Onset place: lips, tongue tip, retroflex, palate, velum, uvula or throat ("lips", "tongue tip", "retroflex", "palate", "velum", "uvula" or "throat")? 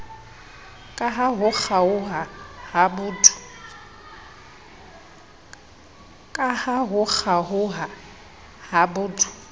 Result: velum